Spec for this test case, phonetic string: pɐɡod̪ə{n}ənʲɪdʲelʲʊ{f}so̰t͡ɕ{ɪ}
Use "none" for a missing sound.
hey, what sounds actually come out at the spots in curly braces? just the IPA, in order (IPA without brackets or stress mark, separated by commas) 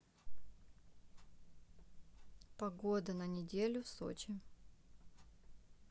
n, f, ɪ